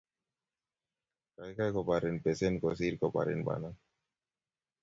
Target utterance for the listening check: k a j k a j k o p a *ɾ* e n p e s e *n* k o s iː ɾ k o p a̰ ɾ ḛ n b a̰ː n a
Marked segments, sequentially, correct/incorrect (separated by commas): correct, correct